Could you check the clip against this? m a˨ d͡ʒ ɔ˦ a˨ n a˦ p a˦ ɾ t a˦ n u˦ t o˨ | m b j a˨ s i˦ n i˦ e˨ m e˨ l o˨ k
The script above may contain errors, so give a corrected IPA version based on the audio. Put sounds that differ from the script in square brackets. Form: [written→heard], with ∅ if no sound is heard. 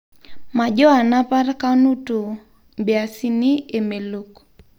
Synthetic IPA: m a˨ d͡ʒ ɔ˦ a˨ n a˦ p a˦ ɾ [t→k] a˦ n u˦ t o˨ | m b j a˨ s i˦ n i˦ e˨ m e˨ l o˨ k